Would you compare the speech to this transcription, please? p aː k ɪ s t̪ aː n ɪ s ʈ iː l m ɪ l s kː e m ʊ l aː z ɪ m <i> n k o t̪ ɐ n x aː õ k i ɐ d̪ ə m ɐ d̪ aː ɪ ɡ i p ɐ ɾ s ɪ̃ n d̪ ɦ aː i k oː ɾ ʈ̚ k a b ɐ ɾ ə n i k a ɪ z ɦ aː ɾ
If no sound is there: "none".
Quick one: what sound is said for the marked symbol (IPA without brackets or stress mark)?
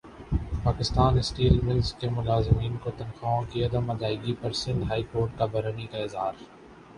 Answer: iː